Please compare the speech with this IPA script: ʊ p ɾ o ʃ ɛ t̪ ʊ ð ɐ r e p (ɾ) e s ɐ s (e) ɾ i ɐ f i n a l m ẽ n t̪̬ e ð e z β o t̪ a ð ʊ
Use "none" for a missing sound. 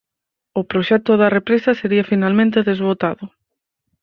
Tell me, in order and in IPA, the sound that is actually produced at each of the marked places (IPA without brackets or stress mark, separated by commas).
ɾ, e